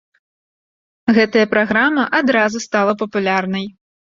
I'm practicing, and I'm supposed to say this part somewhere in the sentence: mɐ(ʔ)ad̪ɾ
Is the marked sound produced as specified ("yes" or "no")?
yes